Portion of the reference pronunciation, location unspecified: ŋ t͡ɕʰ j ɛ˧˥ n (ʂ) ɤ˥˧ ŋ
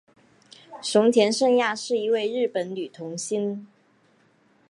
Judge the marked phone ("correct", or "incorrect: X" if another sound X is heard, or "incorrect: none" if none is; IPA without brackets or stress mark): correct